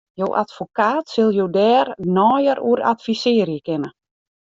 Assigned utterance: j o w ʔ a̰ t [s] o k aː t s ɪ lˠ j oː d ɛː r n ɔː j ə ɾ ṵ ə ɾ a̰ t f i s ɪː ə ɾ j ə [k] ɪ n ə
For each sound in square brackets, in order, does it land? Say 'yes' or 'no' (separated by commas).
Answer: no, yes